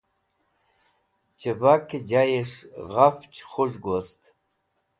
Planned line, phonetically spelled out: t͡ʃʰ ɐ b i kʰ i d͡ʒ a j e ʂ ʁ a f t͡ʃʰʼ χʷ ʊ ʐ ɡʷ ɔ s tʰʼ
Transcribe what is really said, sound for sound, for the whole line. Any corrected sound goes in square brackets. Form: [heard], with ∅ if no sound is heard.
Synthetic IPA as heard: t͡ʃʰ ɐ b [a] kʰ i d͡ʒ a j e ʂ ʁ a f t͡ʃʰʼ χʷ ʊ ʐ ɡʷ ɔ s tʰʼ